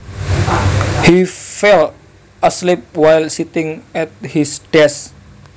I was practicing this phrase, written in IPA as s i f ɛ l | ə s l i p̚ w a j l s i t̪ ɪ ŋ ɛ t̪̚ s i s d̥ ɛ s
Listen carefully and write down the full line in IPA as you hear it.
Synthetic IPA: h i f ɛ l | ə s l i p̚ w a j l s i t̪ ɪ ŋ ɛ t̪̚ h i s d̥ ɛ s